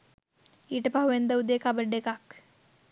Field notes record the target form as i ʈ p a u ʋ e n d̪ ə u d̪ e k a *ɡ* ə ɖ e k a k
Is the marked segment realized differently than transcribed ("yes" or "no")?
yes